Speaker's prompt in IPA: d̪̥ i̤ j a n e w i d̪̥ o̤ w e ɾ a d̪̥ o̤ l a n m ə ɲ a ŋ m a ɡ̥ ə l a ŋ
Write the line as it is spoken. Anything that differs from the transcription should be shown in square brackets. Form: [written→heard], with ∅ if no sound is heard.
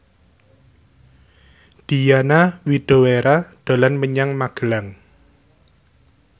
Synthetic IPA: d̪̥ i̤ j a n [e→a] w i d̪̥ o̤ w e ɾ a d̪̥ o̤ l a n m ə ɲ a ŋ m a ɡ̥ ə l a ŋ